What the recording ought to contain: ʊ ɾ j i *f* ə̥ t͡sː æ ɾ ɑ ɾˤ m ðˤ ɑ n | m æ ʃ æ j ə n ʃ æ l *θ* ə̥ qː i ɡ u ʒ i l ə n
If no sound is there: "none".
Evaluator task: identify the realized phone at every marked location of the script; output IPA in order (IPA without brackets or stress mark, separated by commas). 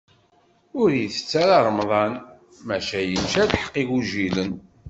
θ, ħ